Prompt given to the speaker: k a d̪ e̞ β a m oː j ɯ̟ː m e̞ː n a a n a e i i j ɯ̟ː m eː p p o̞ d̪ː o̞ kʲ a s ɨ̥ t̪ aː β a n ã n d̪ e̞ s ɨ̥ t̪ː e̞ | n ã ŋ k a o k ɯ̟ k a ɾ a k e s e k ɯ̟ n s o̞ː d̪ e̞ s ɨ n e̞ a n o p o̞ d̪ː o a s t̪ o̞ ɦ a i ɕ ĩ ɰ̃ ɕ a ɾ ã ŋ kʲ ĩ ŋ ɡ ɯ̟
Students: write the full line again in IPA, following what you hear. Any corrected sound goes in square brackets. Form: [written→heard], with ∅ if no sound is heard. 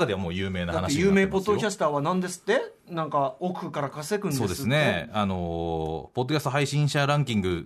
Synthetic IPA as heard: k a d̪ e̞ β a m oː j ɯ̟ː m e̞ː n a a n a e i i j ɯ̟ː m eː p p o̞ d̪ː o̞ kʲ a s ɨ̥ t̪ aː β a n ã n d̪ e̞ s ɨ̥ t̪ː e̞ | n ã ŋ k a o k ɯ̟ k a ɾ a k [e→a] s e k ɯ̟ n s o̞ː d̪ e̞ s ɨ n e̞ a n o p o̞ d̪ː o a s t̪ o̞ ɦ a i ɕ ĩ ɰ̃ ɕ a ɾ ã ŋ kʲ ĩ ŋ ɡ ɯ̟